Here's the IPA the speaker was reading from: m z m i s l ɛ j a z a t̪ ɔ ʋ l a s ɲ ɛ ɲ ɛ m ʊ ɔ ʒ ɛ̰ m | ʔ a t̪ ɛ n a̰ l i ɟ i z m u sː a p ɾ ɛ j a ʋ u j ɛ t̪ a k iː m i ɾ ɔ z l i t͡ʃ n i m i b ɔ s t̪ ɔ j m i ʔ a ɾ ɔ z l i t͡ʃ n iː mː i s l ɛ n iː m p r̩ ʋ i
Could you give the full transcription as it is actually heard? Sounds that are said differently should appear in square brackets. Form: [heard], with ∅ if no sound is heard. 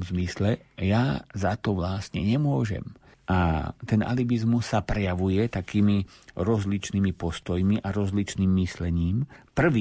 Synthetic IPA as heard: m z m i s l ɛ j a z a t̪ ɔ ʋ l a s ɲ ɛ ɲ ɛ m ʊ ɔ ʒ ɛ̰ m | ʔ a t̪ ɛ n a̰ l i [b] i z m u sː a p ɾ ɛ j a ʋ u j ɛ t̪ a k iː m i ɾ ɔ z l i t͡ʃ n i m i [p] ɔ s t̪ ɔ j m i ʔ a ɾ ɔ z l i t͡ʃ n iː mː i s l ɛ [ɲ] iː m p r̩ ʋ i